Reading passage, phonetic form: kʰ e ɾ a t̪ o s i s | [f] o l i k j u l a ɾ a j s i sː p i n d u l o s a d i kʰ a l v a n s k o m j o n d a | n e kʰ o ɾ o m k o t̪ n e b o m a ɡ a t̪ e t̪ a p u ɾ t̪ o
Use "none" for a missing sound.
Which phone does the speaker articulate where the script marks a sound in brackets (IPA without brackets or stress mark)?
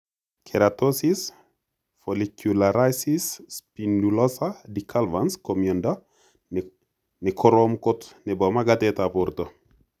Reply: f